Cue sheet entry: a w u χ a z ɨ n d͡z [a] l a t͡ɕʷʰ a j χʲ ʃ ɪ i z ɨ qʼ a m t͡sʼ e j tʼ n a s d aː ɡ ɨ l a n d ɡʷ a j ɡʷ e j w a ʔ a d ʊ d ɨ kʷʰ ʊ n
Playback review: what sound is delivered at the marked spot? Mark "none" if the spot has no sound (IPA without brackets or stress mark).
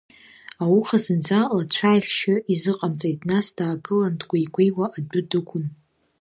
a